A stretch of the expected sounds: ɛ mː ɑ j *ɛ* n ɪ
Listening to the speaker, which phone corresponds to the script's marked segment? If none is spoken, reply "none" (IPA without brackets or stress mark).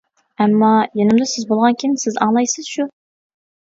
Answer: e